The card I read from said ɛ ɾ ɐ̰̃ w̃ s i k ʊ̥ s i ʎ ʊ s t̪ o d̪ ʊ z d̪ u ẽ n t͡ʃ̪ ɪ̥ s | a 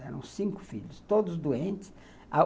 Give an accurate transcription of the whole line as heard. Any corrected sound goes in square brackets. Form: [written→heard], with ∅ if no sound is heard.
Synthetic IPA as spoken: ɛ ɾ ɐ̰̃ w̃ s [i→ĩ] k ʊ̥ [s→f] i ʎ ʊ s t̪ o d̪ ʊ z d̪ u ẽ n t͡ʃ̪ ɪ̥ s | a